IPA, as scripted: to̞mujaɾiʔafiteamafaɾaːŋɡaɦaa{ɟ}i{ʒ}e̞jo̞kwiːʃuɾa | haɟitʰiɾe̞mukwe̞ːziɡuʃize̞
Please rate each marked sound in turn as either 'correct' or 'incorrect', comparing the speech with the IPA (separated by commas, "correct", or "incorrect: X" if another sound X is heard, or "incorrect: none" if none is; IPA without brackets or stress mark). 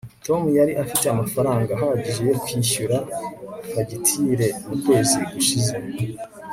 correct, correct